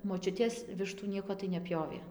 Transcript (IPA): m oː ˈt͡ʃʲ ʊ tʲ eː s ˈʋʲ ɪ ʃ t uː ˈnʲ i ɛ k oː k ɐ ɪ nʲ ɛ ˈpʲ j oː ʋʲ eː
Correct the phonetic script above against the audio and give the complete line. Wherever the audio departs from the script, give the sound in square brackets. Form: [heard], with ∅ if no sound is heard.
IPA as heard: m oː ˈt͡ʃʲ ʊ tʲ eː s ˈʋʲ ɪ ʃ t uː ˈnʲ i ɛ k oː [t] ɐ ɪ nʲ ɛ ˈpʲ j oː ʋʲ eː